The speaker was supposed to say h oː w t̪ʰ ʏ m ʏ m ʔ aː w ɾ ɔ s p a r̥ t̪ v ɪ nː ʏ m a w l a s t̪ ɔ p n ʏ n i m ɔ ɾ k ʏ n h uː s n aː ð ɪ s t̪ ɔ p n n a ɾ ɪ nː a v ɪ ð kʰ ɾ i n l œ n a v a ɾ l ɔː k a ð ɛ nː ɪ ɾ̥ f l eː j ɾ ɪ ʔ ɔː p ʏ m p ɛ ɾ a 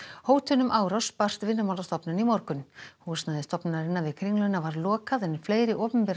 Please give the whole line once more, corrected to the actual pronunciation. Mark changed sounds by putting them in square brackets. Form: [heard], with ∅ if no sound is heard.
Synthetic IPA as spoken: h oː w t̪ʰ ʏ [n] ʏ m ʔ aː w ɾ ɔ s p a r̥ t̪ v ɪ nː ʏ m a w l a s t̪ ɔ p n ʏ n i m ɔ ɾ k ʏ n h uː s n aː ð ɪ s t̪ ɔ p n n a ɾ ɪ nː a v ɪ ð kʰ ɾ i [ŋ] l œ n a v a ɾ l ɔː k a ð ɛ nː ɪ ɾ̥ f l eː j ɾ ɪ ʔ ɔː p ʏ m p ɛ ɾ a